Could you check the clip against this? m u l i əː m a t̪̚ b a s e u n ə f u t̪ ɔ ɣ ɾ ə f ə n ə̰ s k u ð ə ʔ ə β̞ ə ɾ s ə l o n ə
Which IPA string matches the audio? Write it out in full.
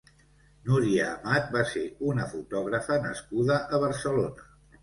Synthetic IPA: n u ɾ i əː m a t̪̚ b a s e u n ə f u t̪ ɔ ɣ ɾ ə f ə n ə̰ s k u ð ə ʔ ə β̞ ə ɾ s ə l o n ə